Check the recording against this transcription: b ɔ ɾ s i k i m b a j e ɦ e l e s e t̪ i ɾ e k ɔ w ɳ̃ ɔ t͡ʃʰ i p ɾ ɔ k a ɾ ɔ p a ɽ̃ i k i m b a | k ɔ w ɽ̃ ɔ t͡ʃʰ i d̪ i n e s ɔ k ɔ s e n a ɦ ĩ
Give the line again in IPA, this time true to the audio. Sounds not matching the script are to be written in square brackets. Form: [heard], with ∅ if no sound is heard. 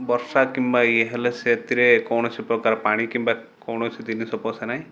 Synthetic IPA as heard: b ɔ ɾ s [a] k i m b a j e ɦ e l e s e t̪ i ɾ e k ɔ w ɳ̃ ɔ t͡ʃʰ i p ɾ ɔ k a ɾ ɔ p a ɽ̃ i k i m b a | k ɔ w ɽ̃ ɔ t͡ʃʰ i d̪ i n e s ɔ [p] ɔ s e n a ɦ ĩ